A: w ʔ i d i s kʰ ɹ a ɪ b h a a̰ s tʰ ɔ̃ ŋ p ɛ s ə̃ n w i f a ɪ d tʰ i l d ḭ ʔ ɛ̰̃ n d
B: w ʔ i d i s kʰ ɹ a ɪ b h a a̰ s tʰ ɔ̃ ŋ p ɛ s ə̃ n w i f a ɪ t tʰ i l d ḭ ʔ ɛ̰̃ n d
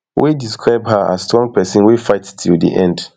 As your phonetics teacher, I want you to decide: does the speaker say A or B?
B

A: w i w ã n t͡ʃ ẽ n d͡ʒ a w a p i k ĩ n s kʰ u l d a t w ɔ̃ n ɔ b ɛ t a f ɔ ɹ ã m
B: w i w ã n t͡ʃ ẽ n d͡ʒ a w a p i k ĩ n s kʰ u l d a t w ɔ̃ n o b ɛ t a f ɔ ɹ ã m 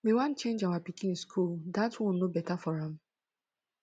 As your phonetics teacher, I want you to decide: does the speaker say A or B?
B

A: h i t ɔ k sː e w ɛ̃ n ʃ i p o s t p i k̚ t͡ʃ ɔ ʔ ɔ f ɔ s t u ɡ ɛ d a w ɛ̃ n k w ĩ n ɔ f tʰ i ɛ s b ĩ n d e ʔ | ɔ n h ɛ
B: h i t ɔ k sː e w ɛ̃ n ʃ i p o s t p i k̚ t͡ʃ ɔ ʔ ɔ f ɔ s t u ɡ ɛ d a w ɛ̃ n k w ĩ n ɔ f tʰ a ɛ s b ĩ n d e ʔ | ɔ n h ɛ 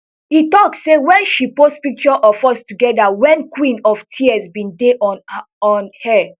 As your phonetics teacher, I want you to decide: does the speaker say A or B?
A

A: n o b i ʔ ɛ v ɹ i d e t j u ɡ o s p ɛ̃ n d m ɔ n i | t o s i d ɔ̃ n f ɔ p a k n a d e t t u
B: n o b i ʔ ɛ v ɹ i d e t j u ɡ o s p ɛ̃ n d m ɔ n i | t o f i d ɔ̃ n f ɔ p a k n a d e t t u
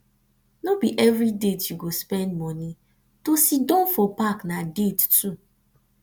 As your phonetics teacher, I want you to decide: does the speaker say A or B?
A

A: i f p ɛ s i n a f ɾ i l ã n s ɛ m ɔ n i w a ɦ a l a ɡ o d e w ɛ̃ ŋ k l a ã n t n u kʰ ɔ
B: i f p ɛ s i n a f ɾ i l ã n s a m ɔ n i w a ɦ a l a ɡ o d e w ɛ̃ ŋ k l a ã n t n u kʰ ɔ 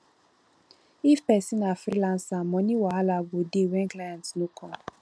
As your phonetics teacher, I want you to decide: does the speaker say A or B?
B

